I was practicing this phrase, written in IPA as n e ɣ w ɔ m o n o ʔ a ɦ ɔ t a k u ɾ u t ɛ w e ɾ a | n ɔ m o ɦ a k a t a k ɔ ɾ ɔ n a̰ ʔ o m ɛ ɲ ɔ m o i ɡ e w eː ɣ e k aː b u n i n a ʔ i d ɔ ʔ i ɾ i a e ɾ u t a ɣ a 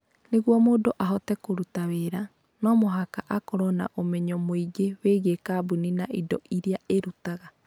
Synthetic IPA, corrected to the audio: n e ɣ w ɔ m o d o ʔ a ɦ ɔ t ɛ k o ɾ u t a w e ɾ a | n ɔ m o ɦ a k a ʔ a k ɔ ɾ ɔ n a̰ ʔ o m ɛ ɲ ɔ m o i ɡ e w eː ɣ e k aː b u n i n a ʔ i d ɔ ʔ i ɾ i a e ɾ u t a ɣ a

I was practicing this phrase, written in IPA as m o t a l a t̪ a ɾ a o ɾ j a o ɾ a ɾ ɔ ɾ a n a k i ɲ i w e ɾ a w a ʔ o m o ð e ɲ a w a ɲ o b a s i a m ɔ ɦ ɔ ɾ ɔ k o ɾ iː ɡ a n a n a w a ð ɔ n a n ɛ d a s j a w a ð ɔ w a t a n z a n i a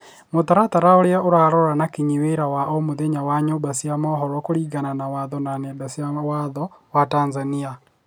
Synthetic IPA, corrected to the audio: m o t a ɾ a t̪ a ɾ a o ɾ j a o ɾ a ɾ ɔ ɾ a n a k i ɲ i w e ɾ a w a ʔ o m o ð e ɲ a w a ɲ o b a s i a m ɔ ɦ ɔ ɾ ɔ k o ɾ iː ɡ a n a n a w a ð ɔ n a n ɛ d a s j a w a ð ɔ w a t a n z a n i a

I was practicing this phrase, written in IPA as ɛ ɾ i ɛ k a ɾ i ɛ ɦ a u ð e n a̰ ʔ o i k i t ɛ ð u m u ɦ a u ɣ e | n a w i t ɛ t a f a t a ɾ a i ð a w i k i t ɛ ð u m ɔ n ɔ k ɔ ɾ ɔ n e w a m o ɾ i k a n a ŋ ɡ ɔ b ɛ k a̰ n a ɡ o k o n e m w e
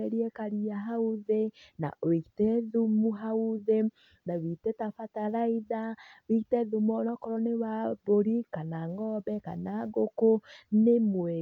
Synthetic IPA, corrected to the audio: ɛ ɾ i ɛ k a ɾ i a ɦ a u ð e n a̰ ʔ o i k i t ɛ ð u m u ɦ a u ð e | n a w i t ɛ t a f a t a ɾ a i ð a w i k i t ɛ ð u m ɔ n ɔ k ɔ ɾ ɔ n e w a b o ɾ i k a n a ŋ ɡ ɔ b ɛ k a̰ n a ɡ o k o n e m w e

